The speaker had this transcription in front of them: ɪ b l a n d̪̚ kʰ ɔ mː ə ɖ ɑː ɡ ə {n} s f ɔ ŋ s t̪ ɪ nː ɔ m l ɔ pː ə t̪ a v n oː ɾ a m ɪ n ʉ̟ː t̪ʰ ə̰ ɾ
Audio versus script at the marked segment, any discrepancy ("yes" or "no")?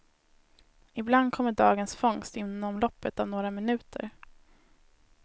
no